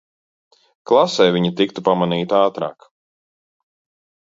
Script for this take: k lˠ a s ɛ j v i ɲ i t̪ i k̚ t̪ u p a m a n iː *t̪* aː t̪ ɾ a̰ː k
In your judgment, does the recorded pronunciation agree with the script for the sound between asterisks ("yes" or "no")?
yes